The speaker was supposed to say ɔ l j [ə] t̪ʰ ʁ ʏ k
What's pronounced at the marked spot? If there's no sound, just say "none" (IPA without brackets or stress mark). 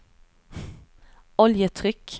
ə